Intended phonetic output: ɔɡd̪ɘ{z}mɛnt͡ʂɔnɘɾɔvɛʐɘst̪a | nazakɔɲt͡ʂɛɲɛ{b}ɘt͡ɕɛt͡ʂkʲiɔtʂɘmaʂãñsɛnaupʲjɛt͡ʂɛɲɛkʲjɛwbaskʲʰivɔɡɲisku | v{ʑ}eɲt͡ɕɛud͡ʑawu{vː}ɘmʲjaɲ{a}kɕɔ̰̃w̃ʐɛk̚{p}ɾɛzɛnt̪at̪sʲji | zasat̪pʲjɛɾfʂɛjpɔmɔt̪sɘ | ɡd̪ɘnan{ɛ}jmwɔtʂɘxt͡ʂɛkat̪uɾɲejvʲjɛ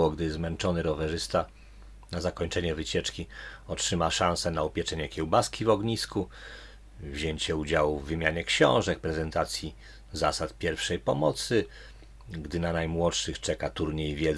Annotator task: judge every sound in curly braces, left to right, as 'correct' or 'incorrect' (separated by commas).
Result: correct, incorrect, correct, correct, incorrect, correct, incorrect